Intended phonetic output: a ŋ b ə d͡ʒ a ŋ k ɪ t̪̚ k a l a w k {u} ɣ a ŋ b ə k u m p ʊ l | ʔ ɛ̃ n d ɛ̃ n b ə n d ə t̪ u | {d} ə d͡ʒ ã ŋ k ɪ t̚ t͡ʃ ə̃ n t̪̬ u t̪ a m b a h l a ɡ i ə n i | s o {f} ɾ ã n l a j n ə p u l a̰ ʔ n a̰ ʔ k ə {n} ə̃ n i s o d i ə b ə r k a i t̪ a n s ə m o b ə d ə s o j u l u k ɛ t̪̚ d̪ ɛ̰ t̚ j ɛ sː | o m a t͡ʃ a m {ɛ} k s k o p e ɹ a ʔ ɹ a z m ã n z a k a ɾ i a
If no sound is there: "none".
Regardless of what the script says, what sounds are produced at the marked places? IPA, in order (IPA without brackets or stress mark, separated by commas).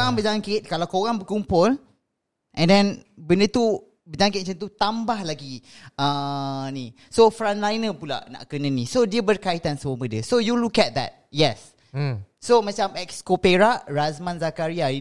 o, b, f, n, ɛ